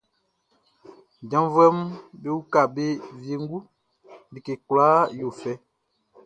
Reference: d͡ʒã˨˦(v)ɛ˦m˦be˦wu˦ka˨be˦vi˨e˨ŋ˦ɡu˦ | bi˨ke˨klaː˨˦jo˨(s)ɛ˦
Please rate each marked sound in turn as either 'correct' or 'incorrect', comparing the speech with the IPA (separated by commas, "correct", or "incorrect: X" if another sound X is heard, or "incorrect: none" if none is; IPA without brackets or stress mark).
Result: correct, incorrect: f